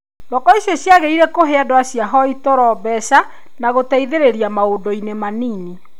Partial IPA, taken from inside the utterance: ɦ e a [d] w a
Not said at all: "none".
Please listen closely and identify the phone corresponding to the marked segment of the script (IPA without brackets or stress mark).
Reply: d